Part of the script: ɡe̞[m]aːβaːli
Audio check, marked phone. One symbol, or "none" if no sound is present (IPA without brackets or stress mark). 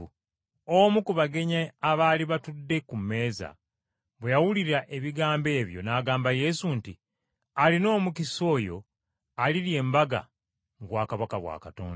ɲ